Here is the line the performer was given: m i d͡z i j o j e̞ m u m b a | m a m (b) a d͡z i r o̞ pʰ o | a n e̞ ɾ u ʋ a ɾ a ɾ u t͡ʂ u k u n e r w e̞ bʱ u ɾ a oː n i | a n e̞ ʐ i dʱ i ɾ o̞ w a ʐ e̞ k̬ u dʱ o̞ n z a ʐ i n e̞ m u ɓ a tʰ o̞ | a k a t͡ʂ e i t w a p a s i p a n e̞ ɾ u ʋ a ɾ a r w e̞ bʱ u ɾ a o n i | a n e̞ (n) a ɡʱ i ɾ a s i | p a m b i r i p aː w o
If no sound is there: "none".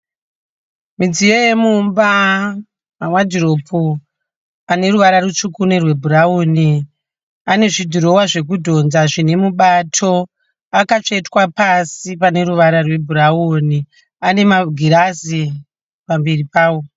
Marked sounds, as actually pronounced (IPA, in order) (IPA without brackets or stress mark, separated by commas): w, m